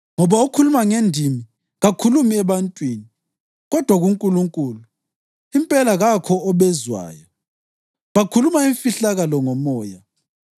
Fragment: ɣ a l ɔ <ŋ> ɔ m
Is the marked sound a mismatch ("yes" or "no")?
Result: no